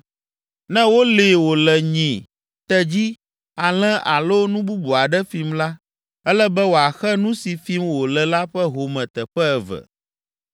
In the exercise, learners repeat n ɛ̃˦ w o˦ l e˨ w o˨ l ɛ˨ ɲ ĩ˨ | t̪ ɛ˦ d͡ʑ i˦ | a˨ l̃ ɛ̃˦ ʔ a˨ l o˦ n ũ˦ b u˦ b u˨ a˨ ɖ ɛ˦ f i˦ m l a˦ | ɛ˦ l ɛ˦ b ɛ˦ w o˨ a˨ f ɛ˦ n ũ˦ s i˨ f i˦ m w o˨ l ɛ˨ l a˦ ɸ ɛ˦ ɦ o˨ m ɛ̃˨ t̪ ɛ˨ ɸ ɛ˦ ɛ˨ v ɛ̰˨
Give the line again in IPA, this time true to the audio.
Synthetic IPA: n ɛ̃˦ w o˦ l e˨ w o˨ l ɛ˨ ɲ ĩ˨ | t̪ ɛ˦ d͡ʑ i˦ | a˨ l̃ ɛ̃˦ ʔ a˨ l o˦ n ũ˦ b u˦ b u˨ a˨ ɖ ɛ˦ f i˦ m l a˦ | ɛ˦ l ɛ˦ b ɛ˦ w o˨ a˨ x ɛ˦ n ũ˦ s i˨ f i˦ m w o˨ l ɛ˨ l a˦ ɸ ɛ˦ ɦ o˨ m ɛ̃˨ t̪ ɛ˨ ɸ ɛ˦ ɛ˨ v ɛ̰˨